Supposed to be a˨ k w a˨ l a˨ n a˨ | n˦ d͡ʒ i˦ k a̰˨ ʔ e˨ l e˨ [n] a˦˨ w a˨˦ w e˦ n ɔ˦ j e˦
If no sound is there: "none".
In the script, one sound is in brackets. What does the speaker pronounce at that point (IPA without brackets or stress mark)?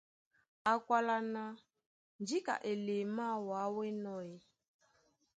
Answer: m